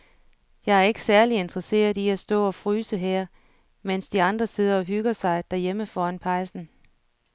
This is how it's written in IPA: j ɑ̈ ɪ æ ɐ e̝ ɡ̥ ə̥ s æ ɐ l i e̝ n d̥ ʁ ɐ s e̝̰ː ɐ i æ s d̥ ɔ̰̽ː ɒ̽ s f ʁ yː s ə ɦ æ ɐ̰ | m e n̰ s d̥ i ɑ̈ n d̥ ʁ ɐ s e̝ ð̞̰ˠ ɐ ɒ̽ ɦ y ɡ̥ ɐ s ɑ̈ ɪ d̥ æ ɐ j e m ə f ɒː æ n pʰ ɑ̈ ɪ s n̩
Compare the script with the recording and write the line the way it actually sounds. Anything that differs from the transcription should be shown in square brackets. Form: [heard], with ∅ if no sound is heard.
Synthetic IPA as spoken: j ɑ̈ ɪ æ ɐ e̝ ɡ̥ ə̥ s æ ɐ l i e̝ n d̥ ʁ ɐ s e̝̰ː ɐ i æ s d̥ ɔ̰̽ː ɒ̽ [∅] f ʁ yː s ə ɦ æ ɐ̰ | m e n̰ s d̥ i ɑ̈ n d̥ ʁ ɐ s e̝ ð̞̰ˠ ɐ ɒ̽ ɦ y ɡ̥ ɐ s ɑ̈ ɪ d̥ æ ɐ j e m ə f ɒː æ n pʰ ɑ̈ ɪ s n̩